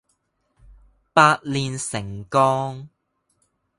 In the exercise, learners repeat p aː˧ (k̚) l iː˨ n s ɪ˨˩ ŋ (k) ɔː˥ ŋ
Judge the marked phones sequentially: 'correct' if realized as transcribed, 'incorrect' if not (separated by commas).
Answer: incorrect, correct